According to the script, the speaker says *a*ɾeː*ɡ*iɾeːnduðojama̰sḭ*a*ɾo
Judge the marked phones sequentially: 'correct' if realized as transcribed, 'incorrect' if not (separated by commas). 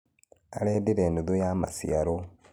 correct, incorrect, correct